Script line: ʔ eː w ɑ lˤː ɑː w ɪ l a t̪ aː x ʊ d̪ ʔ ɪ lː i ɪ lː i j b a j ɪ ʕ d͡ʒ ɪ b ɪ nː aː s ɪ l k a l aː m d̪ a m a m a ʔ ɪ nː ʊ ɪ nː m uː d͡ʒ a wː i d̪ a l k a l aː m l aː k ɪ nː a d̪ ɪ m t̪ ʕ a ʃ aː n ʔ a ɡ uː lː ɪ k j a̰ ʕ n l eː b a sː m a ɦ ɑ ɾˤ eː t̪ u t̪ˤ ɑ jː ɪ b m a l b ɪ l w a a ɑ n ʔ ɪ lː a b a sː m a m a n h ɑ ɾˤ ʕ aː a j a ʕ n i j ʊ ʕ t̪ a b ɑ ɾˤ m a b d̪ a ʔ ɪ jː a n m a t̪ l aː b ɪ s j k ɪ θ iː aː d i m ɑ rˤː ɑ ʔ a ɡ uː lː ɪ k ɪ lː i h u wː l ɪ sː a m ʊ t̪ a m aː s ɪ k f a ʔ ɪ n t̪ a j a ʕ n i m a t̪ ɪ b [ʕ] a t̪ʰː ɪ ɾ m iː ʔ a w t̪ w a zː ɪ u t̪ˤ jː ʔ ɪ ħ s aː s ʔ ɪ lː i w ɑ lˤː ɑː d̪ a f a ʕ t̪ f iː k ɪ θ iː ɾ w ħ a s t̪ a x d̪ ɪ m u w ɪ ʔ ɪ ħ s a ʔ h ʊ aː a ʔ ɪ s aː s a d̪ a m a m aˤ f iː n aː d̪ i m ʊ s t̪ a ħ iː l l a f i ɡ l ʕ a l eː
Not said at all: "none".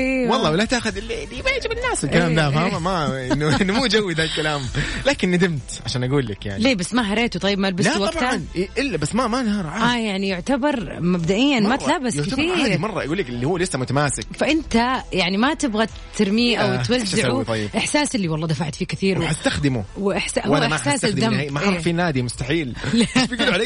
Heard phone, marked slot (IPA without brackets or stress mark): ɣ